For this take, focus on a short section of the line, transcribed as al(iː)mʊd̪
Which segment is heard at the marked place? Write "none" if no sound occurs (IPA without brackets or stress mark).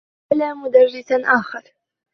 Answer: aː